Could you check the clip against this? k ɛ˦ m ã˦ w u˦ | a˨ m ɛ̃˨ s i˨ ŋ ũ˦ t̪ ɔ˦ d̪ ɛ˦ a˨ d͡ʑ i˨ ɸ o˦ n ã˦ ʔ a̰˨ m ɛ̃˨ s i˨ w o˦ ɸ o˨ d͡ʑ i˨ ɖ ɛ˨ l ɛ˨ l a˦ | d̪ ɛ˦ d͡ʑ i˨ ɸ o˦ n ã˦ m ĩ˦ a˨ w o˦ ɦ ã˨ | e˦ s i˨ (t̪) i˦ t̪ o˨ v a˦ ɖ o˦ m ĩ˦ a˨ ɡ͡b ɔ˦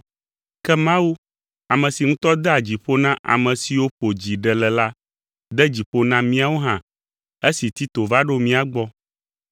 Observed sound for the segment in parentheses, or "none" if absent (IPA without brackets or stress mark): t̪